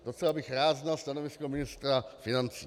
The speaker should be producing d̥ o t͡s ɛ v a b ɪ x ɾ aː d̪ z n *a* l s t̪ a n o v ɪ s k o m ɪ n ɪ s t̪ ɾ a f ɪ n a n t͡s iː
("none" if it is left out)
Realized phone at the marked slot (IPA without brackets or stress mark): a